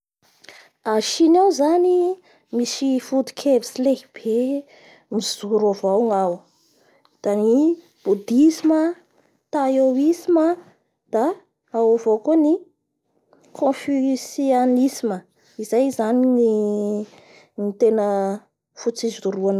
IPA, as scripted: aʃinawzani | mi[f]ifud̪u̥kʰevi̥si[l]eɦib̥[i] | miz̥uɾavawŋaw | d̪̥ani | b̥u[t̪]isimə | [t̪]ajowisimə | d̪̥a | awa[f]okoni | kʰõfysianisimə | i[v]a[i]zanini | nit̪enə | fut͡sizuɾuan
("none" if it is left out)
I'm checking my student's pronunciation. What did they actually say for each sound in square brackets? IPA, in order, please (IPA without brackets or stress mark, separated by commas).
s, l, e, d̪, t̪, v, z, j